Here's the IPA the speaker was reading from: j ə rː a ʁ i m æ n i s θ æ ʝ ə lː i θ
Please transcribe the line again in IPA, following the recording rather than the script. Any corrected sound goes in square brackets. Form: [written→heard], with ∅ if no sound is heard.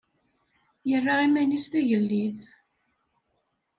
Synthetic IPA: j ə rː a ʁ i m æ n i s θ æ ʝ ə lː i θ